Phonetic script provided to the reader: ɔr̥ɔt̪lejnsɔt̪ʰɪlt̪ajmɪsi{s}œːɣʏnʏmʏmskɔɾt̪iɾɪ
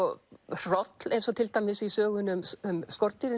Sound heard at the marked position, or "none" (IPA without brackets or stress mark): s